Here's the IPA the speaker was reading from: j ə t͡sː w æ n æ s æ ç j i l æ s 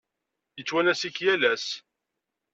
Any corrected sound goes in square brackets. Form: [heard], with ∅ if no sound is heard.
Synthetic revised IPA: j ə t͡sː w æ n æ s [i] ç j [æ] l æ s